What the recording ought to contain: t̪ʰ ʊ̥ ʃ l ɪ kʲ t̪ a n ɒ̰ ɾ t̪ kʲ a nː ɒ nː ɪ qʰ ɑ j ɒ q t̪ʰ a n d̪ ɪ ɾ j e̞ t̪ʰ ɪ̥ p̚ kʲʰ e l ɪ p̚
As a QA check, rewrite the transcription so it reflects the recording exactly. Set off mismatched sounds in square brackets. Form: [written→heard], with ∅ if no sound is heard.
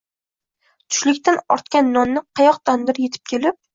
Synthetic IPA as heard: t̪ʰ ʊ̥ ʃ l ɪ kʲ t̪ a n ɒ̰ ɾ t̪ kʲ a nː ɒ nː ɪ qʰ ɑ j ɒ q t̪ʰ a n d̪ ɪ ɾ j e̞ t̪ʰ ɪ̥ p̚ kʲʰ e l ɪ p̚